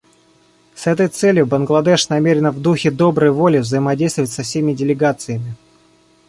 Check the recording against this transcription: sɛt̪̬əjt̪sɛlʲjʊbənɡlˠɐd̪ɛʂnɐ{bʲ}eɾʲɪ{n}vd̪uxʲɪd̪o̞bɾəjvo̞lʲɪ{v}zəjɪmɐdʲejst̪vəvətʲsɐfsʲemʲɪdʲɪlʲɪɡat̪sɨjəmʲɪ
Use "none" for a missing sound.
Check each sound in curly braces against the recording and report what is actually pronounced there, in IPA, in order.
mʲ, n, v

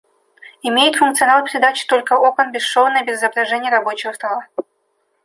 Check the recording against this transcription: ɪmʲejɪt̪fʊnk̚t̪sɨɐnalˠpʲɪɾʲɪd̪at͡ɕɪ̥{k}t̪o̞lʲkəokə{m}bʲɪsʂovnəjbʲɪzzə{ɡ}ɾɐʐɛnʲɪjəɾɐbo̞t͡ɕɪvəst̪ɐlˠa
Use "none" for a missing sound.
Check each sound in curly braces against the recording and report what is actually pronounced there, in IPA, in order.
none, n, b

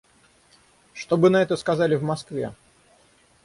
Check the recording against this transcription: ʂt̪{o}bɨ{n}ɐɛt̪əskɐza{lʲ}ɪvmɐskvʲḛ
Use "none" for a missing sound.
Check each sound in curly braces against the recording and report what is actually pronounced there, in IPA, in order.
o, n, lʲ

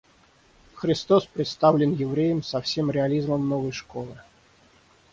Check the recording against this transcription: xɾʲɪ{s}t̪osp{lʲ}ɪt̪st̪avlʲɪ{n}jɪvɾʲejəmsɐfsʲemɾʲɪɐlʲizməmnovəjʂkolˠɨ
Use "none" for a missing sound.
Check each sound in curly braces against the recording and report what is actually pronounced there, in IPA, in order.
s, ɾʲ, n

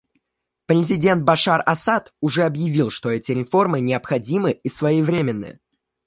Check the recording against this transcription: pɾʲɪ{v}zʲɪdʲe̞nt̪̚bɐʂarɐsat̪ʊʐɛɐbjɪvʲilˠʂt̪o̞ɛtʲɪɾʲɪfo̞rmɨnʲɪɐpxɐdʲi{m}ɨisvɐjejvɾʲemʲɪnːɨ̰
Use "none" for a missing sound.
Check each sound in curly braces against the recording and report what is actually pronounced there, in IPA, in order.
none, m

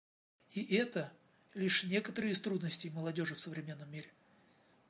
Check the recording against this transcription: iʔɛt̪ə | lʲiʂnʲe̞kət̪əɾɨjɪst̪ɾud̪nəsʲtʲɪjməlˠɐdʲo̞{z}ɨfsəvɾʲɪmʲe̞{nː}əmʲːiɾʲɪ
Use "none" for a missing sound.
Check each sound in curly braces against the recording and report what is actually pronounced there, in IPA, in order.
ʐ, nː

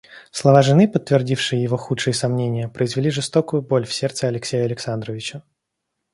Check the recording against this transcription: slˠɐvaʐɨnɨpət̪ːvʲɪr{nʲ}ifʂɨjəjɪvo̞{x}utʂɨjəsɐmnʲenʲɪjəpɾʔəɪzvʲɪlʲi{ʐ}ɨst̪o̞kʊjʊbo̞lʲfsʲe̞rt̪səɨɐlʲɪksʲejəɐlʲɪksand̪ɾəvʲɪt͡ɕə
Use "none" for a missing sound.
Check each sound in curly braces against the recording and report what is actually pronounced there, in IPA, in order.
dʲ, x, ʐ

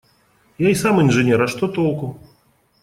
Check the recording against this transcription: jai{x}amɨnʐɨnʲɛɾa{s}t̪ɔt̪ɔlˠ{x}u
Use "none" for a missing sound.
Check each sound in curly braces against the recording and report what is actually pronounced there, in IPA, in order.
s, ʂ, k

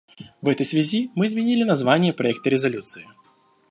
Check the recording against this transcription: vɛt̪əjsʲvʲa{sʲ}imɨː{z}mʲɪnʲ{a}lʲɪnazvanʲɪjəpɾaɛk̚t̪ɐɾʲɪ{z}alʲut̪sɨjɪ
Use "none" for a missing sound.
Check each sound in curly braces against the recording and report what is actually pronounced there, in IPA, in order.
zʲ, z, i, z

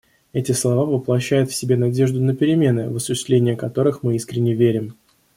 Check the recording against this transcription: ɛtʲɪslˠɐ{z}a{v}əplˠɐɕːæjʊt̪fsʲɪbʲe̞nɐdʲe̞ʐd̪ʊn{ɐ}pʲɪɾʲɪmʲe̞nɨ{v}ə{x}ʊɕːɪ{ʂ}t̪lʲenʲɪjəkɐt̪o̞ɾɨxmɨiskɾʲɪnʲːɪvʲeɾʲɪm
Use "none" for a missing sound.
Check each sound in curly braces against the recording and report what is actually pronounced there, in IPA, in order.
v, v, ə, v, s, s

